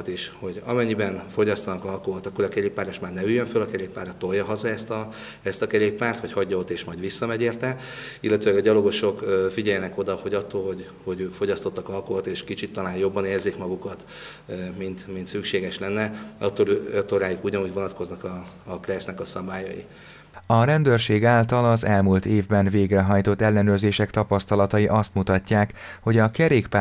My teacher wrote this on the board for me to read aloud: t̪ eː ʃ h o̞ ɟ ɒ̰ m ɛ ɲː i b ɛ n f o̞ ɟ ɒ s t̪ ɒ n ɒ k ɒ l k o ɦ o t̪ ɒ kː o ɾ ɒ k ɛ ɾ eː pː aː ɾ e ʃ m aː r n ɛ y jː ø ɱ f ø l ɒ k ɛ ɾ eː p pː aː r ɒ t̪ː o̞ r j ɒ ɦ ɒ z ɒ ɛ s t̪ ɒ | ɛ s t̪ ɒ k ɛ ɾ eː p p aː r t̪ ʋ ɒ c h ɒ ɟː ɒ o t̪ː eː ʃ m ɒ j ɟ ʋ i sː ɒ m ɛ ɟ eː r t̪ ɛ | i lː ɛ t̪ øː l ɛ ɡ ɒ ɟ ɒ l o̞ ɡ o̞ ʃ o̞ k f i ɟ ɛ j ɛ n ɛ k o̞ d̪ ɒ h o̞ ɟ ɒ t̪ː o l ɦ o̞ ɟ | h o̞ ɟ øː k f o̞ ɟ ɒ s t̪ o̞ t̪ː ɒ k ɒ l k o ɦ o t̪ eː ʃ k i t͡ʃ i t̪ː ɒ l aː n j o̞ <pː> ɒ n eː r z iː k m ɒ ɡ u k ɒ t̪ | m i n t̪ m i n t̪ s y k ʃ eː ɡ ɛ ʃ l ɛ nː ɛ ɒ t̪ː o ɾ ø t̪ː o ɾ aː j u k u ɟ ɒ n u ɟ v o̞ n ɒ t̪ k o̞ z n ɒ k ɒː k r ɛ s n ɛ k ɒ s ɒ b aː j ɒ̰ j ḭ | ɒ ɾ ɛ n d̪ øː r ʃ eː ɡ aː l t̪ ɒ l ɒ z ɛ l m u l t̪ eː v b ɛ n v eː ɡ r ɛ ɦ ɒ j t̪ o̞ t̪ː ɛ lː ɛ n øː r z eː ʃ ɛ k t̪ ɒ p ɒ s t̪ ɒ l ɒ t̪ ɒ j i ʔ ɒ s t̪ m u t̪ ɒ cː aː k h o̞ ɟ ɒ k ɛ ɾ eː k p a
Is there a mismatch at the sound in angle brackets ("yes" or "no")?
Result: yes